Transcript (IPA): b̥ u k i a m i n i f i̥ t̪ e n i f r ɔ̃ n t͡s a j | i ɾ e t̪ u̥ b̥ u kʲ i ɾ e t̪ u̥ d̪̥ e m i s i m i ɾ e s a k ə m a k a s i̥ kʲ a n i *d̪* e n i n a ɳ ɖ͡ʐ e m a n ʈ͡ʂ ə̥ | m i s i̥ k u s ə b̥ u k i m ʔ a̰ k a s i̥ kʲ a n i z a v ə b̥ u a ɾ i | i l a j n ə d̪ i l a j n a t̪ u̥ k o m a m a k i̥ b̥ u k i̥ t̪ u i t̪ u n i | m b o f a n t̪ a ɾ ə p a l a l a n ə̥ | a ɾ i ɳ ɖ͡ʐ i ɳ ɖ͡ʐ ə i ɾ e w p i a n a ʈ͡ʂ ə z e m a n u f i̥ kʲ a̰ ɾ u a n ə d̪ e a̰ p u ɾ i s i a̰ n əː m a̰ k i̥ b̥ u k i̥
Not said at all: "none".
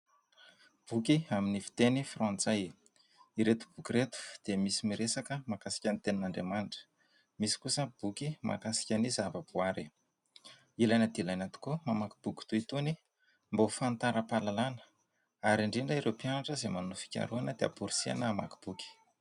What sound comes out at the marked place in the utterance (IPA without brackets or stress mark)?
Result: t̪